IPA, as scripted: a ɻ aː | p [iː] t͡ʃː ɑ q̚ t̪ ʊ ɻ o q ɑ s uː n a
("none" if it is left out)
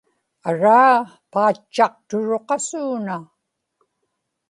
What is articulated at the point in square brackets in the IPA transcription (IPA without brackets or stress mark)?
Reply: aː